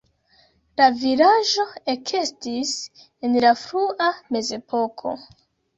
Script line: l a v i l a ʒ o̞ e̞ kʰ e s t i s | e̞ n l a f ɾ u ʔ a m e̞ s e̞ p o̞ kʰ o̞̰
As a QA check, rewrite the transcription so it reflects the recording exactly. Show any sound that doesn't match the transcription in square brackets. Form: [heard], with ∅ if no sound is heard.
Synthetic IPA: l a v i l a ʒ o̞ e̞ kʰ e s t i s | e̞ n l a f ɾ u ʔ a m e̞ [z] e̞ p o̞ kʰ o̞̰